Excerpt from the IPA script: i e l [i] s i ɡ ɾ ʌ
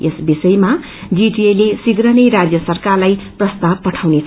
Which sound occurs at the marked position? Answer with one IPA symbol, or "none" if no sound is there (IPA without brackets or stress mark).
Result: e